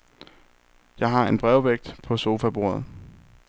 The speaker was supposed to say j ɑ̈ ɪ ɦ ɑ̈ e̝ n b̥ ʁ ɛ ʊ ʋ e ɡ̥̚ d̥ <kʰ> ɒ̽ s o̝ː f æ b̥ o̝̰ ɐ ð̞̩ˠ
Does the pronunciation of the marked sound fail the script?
yes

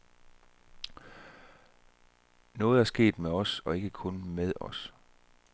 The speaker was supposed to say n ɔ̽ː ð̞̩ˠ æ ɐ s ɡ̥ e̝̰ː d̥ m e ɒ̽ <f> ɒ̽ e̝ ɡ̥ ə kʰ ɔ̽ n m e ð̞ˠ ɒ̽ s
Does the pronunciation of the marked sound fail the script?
yes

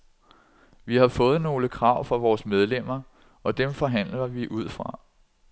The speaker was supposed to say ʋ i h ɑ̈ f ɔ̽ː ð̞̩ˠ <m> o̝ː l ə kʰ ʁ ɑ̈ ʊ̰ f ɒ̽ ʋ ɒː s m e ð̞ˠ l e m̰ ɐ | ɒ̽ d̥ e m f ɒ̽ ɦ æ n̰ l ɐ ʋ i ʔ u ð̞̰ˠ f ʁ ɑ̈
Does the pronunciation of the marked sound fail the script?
yes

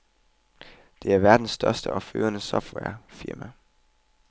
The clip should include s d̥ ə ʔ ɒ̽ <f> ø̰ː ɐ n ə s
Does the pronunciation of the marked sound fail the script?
no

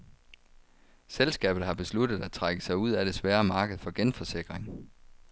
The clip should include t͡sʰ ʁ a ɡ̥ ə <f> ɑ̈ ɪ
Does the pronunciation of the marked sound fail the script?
yes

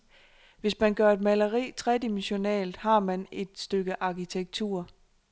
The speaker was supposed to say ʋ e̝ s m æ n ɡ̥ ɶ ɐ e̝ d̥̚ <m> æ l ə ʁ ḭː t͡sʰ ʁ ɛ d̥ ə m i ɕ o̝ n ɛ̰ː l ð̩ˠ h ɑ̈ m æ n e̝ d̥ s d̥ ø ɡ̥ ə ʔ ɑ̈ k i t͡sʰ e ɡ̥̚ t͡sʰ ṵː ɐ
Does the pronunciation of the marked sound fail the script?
no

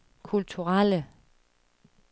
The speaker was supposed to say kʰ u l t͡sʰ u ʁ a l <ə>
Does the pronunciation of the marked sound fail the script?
no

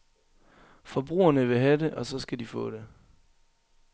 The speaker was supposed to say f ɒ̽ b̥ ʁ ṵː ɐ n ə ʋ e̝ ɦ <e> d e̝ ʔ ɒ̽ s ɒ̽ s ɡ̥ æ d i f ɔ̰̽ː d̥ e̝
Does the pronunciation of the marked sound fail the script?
yes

